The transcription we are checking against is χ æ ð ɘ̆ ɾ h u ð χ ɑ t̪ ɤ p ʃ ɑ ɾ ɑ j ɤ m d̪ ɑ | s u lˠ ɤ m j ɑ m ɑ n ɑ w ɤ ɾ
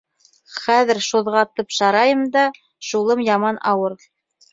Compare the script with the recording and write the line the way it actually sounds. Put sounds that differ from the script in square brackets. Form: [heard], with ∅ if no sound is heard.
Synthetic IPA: χ æ ð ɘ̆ ɾ [ʃ] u ð [ʁ] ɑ t̪ ɤ p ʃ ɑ ɾ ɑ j ɤ m d̪ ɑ | [ʃ] u lˠ ɤ m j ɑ m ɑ n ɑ w ɤ ɾ